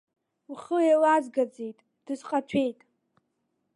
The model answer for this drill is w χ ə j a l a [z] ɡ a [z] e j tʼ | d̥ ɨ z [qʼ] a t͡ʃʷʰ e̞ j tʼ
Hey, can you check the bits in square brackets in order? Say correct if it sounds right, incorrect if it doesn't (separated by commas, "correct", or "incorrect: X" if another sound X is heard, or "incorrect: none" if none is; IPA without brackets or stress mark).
correct, incorrect: d͡z, correct